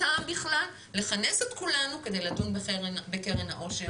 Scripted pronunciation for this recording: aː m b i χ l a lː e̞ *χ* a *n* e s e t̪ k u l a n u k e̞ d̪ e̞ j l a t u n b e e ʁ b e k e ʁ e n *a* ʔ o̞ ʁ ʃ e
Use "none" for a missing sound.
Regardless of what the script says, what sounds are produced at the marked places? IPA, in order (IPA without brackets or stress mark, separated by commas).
χ, n, a